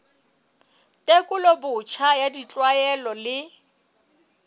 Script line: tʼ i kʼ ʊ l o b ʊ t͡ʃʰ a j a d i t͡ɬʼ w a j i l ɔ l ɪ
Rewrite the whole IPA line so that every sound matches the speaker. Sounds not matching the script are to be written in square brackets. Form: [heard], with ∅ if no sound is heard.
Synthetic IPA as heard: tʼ [e] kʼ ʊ l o b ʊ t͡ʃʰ a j a d i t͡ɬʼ w a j [ɛ] l ɔ l ɪ